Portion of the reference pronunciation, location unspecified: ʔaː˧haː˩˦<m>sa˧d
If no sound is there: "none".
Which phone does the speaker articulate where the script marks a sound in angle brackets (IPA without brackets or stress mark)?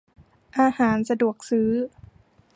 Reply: n